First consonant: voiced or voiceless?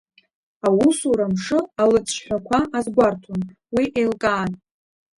voiced